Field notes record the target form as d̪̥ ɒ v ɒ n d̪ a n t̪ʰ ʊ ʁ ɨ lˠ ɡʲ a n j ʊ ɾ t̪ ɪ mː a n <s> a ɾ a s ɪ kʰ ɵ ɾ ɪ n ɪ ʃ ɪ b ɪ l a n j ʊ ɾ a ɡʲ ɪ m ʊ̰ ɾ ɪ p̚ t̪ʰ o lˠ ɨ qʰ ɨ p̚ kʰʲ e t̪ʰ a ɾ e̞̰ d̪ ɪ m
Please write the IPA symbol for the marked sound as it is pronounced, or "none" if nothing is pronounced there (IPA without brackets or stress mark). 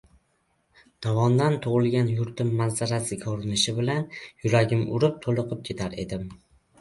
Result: z